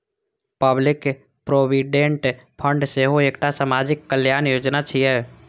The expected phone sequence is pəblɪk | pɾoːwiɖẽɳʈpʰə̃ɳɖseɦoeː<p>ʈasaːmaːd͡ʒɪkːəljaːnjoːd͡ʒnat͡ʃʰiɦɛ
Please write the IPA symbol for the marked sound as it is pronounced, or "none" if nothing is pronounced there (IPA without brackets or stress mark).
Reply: k